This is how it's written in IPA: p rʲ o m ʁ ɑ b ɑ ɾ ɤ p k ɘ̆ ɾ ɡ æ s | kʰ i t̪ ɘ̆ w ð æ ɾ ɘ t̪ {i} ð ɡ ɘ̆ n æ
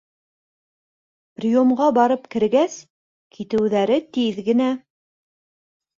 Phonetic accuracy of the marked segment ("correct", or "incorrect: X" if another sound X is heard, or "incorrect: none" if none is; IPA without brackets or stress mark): correct